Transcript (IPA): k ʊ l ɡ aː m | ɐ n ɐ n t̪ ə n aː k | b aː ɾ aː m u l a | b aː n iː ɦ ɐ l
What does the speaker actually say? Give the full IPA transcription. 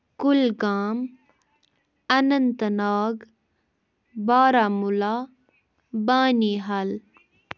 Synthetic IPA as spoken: k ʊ l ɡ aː m | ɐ n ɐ n t̪ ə n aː ɡ | b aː ɾ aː m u l a | b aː n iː ɦ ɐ l